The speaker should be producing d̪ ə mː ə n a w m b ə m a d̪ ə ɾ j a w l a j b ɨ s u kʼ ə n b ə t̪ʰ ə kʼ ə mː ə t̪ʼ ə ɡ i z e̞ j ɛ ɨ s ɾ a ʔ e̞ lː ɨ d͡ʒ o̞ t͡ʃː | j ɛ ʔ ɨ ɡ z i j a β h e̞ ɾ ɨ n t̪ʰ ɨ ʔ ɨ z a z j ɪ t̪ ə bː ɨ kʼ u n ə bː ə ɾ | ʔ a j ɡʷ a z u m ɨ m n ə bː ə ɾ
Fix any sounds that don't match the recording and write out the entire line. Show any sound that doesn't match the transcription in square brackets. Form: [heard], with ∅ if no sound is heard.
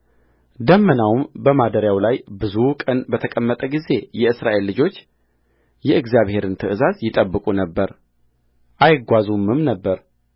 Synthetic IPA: d̪ ə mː ə n a w m b ə m a d̪ ə ɾ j a w l a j b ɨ [z] u kʼ ə n b ə t̪ʰ ə kʼ ə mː ə t̪ʼ ə ɡ i z e̞ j ɛ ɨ s ɾ a ʔ e̞ lː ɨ d͡ʒ o̞ t͡ʃː | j ɛ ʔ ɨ ɡ z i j a β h e̞ ɾ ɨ n t̪ʰ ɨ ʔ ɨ z a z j ɪ [t̪ʼ] ə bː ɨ kʼ u n ə bː ə ɾ | ʔ a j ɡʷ a z u m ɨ m n ə bː ə ɾ

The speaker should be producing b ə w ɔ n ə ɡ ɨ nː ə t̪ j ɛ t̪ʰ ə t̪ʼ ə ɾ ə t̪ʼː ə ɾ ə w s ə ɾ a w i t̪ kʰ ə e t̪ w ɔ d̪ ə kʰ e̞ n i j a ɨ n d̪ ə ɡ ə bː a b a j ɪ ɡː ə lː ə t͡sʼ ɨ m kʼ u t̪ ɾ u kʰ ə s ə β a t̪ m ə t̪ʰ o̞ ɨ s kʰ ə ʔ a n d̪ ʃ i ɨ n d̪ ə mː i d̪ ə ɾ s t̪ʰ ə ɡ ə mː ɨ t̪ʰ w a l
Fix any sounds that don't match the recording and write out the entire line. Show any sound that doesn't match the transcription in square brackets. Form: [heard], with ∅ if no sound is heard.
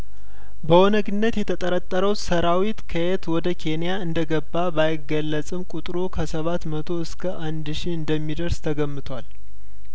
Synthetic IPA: b ə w ɔ n ə ɡ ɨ nː ə t̪ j ɛ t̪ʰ ə t̪ʼ ə ɾ ə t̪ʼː ə ɾ ə w s ə ɾ a w i t̪ kʰ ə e t̪ w ɔ d̪ ə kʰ e̞ n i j a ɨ n d̪ ə ɡ ə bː a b a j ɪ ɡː ə lː ə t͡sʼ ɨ m kʼ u [t̪ʼ] ɾ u kʰ ə s ə β a t̪ m ə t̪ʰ o̞ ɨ s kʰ ə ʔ a n d̪ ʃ i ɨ n d̪ ə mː i d̪ ə ɾ s t̪ʰ ə ɡ ə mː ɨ t̪ʰ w a l

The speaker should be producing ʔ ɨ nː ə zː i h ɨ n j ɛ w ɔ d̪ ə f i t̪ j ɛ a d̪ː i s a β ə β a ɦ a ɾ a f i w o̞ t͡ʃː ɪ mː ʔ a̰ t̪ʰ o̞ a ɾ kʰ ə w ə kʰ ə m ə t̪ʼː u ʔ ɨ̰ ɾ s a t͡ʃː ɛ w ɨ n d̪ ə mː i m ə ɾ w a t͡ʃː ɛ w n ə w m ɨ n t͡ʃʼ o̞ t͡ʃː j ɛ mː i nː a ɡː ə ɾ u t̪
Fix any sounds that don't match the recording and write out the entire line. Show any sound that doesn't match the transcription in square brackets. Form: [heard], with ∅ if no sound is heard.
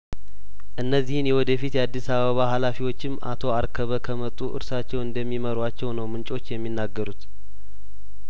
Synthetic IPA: ʔ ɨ nː ə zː i h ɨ n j ɛ w ɔ d̪ ə f i t̪ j ɛ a d̪ː i s a β ə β a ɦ a [l] a f i w o̞ t͡ʃː ɪ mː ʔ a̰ t̪ʰ o̞ a ɾ kʰ ə [β] ə kʰ ə m ə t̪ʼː u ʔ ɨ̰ ɾ s a t͡ʃː ɛ w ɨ n d̪ ə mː i m ə ɾ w a t͡ʃː ɛ w n ə w m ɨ n t͡ʃʼ o̞ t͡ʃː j ɛ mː i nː a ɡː ə ɾ u t̪

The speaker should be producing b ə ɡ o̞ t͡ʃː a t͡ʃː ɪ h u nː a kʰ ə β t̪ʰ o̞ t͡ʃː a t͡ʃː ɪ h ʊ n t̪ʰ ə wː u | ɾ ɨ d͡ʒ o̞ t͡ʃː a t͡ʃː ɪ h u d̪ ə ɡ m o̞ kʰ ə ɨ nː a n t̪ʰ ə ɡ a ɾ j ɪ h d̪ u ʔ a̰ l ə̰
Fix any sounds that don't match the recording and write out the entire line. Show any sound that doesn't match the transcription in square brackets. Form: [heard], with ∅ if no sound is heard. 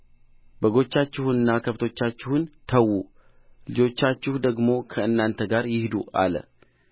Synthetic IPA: b ə ɡ o̞ t͡ʃː a t͡ʃː ɪ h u nː a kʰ ə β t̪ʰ o̞ t͡ʃː a t͡ʃː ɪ h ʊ n t̪ʰ ə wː u | [l] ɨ d͡ʒ o̞ t͡ʃː a t͡ʃː ɪ h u d̪ ə ɡ m o̞ kʰ ə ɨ nː a n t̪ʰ ə ɡ a ɾ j ɪ h d̪ u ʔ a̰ l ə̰

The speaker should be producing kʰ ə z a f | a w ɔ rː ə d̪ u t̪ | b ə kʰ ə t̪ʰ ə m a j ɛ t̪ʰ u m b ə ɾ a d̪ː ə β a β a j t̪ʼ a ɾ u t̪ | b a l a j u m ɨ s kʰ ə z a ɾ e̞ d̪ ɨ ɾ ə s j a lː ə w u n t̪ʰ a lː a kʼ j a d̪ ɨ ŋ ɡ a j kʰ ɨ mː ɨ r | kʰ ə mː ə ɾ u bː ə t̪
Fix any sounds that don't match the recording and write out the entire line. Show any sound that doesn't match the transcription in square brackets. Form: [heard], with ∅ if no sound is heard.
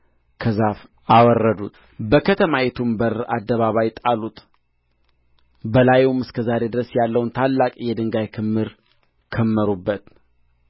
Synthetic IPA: kʰ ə z a f | a w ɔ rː ə d̪ u t̪ | b ə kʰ ə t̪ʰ ə m a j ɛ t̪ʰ u m b ə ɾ a d̪ː ə β a β a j t̪ʼ a [l] u t̪ | b [ə] l a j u m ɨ s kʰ ə z a ɾ e̞ d̪ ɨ ɾ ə s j a lː ə w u n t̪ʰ a lː a kʼ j [ɛ] d̪ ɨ ŋ ɡ a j kʰ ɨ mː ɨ [ɾ] | kʰ ə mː ə ɾ u bː ə t̪

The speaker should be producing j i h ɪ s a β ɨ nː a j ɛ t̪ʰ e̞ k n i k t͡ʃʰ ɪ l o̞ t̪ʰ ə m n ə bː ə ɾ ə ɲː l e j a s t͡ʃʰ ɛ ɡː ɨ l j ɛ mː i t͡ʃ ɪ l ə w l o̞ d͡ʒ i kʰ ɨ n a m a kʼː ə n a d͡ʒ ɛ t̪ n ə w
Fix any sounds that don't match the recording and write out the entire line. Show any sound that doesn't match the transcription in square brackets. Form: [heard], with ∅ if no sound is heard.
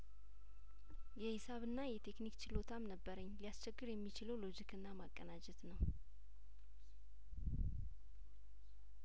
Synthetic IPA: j [ɛ] h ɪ s a β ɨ nː a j ɛ t̪ʰ e̞ k n i k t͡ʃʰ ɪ l o̞ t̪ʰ [a] m n ə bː ə ɾ ə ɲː l [i] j a s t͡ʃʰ ɛ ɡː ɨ [ɾ] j ɛ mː i t͡ʃ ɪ l ə w l o̞ d͡ʒ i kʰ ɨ [nː] a m a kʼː ə n a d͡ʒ ɛ t̪ n ə w

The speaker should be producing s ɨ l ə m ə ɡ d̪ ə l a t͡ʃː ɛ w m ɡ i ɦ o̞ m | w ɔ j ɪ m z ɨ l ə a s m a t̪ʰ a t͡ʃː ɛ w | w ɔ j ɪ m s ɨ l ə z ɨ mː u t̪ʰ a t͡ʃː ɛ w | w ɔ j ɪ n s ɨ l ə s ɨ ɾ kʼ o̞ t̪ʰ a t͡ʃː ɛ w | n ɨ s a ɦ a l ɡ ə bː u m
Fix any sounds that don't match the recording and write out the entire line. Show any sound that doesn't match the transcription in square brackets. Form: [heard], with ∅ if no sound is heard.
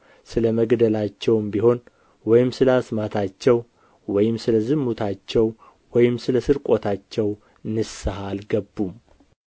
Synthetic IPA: s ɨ l ə m ə ɡ d̪ ə l a t͡ʃː ɛ w m [b] i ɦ o̞ [n] | w ɔ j ɪ m [s] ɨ l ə a s m a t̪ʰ a t͡ʃː ɛ w | w ɔ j ɪ m s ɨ l ə z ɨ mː u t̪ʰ a t͡ʃː ɛ w | w ɔ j ɪ [m] s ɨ l ə s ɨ ɾ kʼ o̞ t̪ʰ a t͡ʃː ɛ w | n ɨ s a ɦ a l ɡ ə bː u m

